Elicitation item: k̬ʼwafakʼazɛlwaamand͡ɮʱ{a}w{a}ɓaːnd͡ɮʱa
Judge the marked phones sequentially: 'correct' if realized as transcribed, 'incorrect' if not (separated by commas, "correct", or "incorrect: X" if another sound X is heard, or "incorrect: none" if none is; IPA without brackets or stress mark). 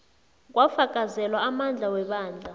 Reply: correct, incorrect: ɛ